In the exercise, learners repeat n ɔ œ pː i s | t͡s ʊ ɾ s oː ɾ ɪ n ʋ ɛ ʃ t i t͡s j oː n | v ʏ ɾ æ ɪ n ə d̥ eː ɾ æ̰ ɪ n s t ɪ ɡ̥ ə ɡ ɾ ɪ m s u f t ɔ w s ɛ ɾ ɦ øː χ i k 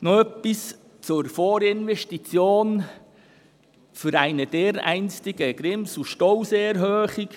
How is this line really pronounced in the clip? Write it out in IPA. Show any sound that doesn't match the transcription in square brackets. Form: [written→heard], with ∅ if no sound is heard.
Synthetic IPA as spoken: n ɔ œ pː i s | t͡s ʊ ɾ [s→f] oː ɾ ɪ n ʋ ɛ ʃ t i t͡s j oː n | [v→f] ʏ ɾ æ ɪ n ə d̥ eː ɾ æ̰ ɪ n s t ɪ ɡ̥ ə ɡ ɾ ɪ m s u [f→ʃ] t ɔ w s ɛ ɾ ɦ øː χ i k